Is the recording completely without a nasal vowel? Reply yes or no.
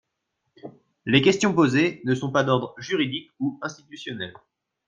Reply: no